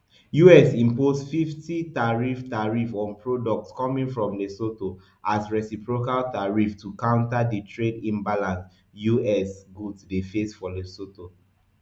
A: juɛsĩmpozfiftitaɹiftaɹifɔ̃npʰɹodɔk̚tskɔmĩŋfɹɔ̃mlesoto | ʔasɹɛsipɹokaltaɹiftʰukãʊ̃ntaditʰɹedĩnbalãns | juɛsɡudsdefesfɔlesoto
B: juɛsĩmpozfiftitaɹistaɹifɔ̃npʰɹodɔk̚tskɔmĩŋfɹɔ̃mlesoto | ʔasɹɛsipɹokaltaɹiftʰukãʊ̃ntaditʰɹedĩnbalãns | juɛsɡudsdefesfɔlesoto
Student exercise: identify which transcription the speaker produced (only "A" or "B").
A